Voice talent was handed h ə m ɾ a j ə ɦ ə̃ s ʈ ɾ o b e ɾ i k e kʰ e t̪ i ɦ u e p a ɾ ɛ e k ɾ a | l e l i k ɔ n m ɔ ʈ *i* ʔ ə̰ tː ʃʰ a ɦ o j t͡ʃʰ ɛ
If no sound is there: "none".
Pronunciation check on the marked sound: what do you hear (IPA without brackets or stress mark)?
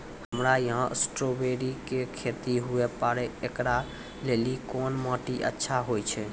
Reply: i